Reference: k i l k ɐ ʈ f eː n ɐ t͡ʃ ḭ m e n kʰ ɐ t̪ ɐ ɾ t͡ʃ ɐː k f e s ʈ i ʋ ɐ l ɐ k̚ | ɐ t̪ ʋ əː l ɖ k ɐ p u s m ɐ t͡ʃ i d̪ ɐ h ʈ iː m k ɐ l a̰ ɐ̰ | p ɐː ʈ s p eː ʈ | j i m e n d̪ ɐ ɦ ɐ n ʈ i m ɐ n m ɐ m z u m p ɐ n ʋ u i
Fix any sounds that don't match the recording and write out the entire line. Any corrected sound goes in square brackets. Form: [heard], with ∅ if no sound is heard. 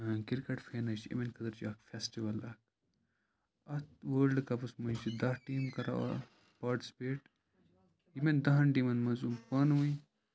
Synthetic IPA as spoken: k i [ɾ] k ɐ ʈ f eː n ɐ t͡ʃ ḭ m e n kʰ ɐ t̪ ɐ ɾ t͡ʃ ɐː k f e s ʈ i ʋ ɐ l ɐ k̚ | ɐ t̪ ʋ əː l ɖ k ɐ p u s m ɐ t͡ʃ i d̪ ɐ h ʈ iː m k ɐ [ɾ] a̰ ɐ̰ | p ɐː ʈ s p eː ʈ | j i m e n d̪ ɐ ɦ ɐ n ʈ i m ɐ n m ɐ [∅] z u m p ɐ n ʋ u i